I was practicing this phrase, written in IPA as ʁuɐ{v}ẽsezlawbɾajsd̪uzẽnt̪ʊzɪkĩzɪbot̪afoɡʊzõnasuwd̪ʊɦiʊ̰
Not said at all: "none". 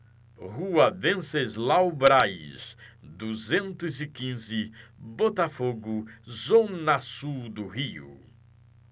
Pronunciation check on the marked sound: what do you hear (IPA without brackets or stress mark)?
v